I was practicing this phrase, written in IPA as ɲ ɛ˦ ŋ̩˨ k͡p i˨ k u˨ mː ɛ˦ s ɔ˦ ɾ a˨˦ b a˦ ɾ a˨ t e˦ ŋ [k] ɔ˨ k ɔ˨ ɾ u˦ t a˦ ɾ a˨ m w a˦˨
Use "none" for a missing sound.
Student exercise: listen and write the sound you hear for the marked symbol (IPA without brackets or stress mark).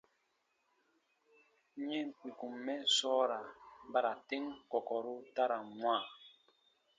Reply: k